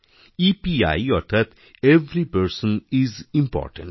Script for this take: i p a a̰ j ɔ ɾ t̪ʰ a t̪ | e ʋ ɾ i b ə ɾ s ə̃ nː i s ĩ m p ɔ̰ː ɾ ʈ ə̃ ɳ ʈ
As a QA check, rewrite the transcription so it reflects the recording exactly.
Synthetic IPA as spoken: i p i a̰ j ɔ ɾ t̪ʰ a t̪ | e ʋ ɾ i p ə ɾ s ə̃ n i z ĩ m p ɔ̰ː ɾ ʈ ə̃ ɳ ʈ

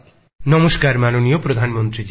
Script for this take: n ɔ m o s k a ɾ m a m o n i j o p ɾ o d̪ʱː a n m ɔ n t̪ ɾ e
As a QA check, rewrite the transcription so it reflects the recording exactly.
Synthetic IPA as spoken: n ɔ m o s k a ɾ m a n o n i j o p ɾ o d̪ʱ a n m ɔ n t̪ ɾ i

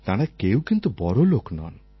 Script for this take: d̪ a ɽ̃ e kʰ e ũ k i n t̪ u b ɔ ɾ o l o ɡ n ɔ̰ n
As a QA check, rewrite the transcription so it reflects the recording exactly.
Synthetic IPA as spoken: t̪ a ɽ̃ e k e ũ k i n t̪ u b ɔ ɾ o l o k n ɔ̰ n

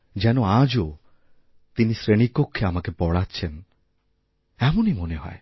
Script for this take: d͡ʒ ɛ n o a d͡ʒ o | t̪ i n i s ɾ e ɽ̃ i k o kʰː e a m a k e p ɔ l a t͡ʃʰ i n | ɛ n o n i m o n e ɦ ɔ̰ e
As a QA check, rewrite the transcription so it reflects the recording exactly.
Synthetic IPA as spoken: d͡ʒ ɛ n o a d͡ʒ o | t̪ i n i s ɾ e ɽ̃ i k o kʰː e a m a k e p ɔ ɽ a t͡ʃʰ e n | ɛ m o n i m o n e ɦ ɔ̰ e

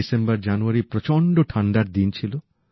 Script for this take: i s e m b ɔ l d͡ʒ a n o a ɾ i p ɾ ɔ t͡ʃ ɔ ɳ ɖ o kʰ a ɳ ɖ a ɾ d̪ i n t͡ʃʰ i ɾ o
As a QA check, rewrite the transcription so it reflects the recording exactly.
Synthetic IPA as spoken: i s e m b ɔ ɾ d͡ʒ a n u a ɾ i p ɾ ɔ t͡ʃ ɔ ɳ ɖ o ʈʰ a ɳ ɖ a ɾ d̪ i n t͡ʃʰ i l o

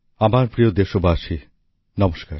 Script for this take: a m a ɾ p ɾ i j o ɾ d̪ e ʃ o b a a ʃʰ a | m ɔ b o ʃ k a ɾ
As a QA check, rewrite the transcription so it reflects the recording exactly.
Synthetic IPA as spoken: a m a ɾ p ɾ i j o d̪ e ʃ o b a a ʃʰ i | n ɔ m o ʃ k a ɾ

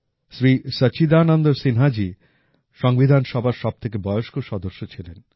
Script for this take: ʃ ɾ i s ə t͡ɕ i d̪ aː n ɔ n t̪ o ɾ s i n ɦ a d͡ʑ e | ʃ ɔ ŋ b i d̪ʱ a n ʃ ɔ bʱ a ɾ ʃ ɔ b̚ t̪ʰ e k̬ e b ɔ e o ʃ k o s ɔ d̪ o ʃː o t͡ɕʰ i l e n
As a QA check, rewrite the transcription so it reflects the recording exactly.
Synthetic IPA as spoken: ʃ ɾ i s ə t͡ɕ i d̪ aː n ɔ n d̪ o ɾ s i n ɦ a d͡ʑ i | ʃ ɔ ŋ b i d̪ʱ a n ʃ ɔ bʱ a ɾ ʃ ɔ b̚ t̪ʰ e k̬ e b ɔ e o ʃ k o ʃ ɔ d̪ o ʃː o t͡ɕʰ i l e n

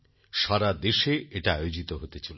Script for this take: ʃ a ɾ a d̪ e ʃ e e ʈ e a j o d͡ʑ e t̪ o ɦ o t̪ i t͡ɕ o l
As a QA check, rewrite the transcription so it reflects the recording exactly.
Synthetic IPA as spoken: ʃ a ɾ a d̪ e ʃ e e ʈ a a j o d͡ʑ i t̪ o ɦ o t̪ e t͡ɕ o l

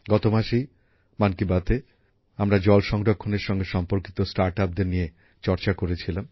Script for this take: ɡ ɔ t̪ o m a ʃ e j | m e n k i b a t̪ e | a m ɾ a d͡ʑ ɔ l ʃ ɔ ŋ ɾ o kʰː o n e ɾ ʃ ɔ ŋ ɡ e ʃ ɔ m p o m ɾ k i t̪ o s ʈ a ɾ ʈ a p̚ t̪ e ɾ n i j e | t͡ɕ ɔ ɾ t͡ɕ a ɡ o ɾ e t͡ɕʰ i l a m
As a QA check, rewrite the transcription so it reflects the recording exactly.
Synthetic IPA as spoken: ɡ ɔ t̪ o m a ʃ e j | m a n k i b a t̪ e | a m ɾ a d͡ʑ ɔ l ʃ ɔ ŋ ɾ o kʰː o n e ɾ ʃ ɔ ŋ ɡ e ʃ ɔ m p o ɾ k i t̪ o s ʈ a ɾ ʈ a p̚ d̪ e ɾ n i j e | t͡ɕ ɔ ɾ t͡ɕ a k o ɾ e t͡ɕʰ i l a m

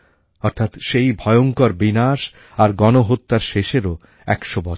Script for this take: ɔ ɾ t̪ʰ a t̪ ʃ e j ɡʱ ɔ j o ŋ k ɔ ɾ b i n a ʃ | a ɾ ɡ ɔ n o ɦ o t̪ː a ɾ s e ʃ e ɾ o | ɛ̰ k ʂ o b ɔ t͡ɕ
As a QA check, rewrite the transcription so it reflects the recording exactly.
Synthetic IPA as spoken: ɔ ɾ t̪ʰ a t̪ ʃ e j bʱ ɔ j o ŋ k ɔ ɾ b i n a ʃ | a ɾ ɡ ɔ n o ɦ o t̪ː a ɾ ʃ e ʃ e ɾ o | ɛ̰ k ʃ o b ɔ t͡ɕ

